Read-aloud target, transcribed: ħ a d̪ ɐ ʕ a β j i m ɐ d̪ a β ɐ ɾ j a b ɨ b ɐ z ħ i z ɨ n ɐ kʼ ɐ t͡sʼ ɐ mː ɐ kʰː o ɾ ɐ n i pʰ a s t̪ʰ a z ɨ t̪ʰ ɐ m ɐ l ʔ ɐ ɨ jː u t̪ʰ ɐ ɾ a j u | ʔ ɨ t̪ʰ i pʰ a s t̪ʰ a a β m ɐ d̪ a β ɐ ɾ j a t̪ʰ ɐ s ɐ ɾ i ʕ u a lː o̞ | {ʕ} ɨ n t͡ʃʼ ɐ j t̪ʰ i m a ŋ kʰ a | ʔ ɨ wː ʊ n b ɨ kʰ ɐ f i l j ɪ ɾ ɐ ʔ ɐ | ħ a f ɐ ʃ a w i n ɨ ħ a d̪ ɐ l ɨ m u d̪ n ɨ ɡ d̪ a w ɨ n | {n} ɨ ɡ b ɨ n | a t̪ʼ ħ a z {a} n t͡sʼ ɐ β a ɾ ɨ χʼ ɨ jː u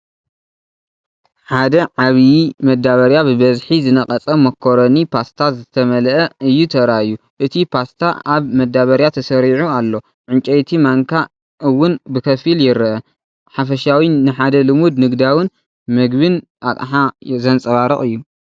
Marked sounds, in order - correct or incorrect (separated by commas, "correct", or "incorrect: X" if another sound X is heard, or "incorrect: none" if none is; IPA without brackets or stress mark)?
correct, incorrect: m, incorrect: ɐ